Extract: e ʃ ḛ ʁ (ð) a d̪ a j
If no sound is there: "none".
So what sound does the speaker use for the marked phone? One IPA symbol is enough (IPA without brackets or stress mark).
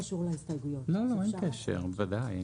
v